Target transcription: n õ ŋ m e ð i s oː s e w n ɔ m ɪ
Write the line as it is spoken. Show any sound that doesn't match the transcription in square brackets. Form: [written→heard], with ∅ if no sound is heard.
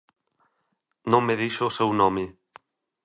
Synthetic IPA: n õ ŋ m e ð i [s→ʃ] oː s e w n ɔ m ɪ

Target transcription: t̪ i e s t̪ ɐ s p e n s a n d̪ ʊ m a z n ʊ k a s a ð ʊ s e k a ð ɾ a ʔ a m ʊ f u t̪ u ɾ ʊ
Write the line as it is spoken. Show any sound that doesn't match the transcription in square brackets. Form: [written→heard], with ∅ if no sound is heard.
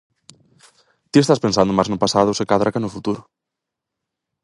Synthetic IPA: t̪ i e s t̪ [ɐ→a] s p e n s a n d̪ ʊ m a z n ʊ [k→p] a s a ð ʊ s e k a ð ɾ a [ʔ→k] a [m→n] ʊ f u t̪ u ɾ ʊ

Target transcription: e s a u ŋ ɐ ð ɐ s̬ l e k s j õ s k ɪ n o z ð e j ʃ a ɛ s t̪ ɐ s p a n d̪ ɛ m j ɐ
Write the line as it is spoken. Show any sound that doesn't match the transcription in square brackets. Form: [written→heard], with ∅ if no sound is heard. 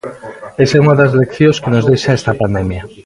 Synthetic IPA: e s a u ŋ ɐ ð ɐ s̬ l e k [s→θ] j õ s k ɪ n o z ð e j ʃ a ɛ s t̪ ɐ [s→∅] p a n d̪ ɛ m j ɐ

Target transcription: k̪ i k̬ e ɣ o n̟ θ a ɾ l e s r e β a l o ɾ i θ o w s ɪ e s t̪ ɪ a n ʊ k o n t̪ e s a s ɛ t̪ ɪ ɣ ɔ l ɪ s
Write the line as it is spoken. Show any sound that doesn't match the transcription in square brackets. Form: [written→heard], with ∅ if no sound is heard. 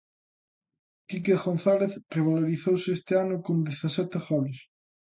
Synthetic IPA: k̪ i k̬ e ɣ o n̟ θ a [ɾ→∅] l e [s→θ] r e β a l o ɾ i θ o w s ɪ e s t̪ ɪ a n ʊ k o n [t̪→d̪] e [s→θ] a s ɛ t̪ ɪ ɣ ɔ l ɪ s

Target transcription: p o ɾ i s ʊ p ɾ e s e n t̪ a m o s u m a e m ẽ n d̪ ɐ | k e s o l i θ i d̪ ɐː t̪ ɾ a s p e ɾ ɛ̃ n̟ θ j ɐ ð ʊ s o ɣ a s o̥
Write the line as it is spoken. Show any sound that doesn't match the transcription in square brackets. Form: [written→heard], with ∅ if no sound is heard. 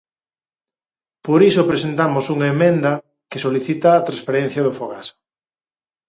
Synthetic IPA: p o ɾ i s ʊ p ɾ e s e n t̪ a m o s u [m→ŋ] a e m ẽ n d̪ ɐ | k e s o l i θ i [d̪→t̪] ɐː t̪ ɾ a s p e ɾ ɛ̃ n̟ θ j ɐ ð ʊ [s→f] o ɣ a s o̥

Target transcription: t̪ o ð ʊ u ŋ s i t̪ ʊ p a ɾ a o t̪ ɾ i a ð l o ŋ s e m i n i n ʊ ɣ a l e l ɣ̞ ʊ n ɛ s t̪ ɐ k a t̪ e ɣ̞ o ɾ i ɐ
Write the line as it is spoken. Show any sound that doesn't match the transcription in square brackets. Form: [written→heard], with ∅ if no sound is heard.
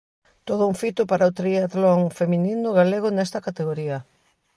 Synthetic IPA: t̪ o ð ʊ u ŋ [s→f] i t̪ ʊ p a ɾ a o t̪ ɾ i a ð l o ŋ [s→f] e m i n i n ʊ ɣ a l e [l→∅] ɣ̞ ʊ n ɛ s t̪ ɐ k a t̪ e ɣ̞ o ɾ i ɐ

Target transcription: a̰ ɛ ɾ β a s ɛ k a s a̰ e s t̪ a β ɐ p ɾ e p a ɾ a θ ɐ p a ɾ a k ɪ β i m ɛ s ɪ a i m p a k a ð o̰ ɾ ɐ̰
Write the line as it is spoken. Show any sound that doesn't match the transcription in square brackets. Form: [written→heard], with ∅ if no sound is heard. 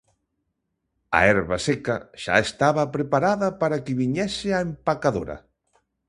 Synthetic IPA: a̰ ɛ ɾ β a s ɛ k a [s→ʃ] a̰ e s t̪ a β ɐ p ɾ e p a ɾ a [θ→ð] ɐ p a ɾ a k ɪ β i [m→ɲ] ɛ s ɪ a [i→e] m p a k a ð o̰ ɾ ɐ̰

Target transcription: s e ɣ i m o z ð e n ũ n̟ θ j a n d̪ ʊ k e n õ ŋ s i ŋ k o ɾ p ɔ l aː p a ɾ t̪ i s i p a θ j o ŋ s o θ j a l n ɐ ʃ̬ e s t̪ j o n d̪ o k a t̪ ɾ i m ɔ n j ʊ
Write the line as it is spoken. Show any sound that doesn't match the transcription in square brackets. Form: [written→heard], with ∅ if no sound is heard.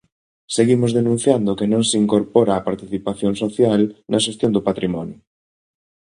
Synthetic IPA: s e ɣ i m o z ð e n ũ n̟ θ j a n d̪ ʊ k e n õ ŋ s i ŋ k o ɾ p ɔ [l→ɾ] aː p a ɾ t̪ i [s→θ] i p a θ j o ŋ s o θ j a l n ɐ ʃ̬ e s t̪ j o n d̪ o [k→p] a t̪ ɾ i m ɔ n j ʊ

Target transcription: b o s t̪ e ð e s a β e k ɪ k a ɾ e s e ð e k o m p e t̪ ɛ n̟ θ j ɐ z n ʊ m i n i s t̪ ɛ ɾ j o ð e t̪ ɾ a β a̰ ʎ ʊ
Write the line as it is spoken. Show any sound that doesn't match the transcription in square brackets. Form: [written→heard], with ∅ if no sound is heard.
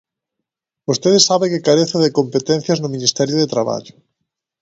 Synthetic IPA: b o s t̪ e ð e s a β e k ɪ k a ɾ e [s→θ] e ð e k o m p e t̪ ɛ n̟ θ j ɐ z n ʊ m i n i s t̪ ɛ ɾ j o ð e t̪ ɾ a β a̰ ʎ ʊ

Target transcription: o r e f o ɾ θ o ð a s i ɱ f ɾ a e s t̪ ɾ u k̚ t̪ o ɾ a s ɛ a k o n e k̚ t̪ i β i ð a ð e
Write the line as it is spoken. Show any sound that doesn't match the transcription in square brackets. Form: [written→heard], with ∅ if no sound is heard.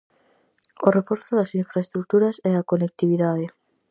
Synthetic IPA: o r e f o ɾ θ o ð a s i ɱ f ɾ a e s t̪ ɾ u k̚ t̪ [o→u] ɾ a s ɛ a k o n e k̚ t̪ i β i ð a ð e

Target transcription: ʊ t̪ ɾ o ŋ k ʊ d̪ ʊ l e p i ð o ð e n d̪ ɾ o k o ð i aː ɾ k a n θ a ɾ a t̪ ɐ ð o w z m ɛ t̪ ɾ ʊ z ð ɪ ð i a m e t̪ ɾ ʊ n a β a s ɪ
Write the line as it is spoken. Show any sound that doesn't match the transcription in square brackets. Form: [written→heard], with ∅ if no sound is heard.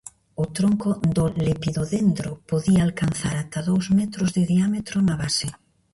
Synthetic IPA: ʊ t̪ ɾ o ŋ k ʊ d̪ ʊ l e p i ð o ð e n d̪ ɾ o [k→p] o ð i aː [ɾ→l] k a n θ a ɾ a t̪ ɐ ð o w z m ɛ t̪ ɾ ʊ z ð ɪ ð i a m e t̪ ɾ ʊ n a β a s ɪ

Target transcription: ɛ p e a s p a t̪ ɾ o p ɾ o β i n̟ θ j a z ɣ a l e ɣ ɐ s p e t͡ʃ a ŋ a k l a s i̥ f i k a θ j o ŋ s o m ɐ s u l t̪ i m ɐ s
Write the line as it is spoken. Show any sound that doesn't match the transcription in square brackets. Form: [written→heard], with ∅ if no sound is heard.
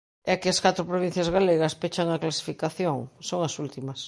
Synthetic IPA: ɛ [p→k] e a s [p→k] a t̪ ɾ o p ɾ o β i n̟ θ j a z ɣ a l e ɣ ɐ s p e t͡ʃ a ŋ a k l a s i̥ f i k a θ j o ŋ s o [m→ŋ] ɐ s u l t̪ i m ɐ s

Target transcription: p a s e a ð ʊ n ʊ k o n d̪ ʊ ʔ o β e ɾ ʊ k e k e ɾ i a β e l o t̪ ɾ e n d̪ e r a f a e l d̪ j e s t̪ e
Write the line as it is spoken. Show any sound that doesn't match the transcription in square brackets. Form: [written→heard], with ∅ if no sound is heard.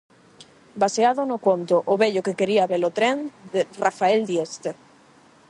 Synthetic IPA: [p→b] a s e a ð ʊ n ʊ k o n [d̪→t̪] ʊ ʔ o β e [ɾ→ʎ] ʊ k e k e ɾ i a β e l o t̪ ɾ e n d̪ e r a f a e l d̪ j e s t̪ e

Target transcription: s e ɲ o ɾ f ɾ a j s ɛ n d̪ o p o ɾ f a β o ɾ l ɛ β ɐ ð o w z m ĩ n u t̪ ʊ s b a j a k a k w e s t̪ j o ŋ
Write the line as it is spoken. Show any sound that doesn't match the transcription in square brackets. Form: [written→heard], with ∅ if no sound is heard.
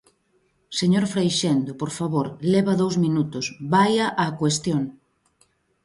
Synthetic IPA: s e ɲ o ɾ f ɾ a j [s→ʃ] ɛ n d̪ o p o ɾ f a β o ɾ l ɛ β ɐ ð o w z m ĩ n u t̪ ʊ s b a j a [k→ʔ] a k w e s t̪ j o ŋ

